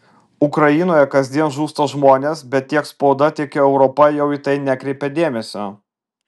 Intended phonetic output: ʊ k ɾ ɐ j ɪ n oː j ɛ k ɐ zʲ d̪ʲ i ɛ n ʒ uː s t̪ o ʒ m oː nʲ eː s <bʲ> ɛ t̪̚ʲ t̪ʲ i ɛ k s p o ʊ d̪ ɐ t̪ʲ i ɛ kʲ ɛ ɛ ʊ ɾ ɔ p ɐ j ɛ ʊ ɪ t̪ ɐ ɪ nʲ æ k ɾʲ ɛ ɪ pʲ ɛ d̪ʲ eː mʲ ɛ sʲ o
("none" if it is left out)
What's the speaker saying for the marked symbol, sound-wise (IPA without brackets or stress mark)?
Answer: bʲ